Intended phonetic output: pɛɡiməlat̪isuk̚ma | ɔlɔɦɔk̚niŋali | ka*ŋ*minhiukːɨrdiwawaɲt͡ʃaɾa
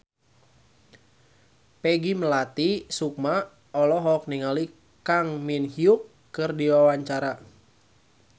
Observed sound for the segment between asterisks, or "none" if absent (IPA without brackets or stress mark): ŋ